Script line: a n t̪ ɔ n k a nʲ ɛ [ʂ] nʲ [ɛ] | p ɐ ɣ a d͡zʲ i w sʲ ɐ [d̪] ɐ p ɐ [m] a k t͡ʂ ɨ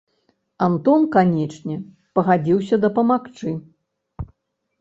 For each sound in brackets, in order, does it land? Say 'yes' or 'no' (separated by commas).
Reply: no, yes, yes, yes